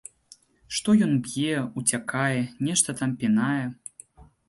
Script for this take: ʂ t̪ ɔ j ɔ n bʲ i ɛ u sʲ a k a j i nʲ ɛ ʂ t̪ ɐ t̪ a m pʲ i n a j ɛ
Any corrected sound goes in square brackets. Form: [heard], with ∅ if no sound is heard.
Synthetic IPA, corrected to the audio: ʂ t̪ ɔ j ɔ n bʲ [j] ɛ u [t͡sʲ] a k a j [ɛ] nʲ ɛ ʂ t̪ ɐ t̪ a m pʲ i n a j ɛ